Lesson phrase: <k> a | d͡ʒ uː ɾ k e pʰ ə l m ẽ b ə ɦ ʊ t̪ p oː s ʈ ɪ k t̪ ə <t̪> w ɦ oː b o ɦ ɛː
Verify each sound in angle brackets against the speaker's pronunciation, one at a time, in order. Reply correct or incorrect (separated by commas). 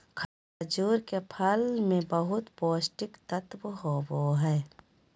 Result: incorrect, correct